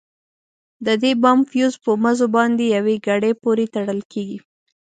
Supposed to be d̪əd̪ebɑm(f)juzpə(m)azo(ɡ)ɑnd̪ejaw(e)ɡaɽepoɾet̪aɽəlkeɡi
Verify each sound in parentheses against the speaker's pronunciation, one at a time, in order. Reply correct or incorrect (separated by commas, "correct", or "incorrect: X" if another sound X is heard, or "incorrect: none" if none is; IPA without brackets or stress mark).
correct, correct, incorrect: b, correct